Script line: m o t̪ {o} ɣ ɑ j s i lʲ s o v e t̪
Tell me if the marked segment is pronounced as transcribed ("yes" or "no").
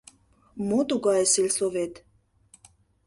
no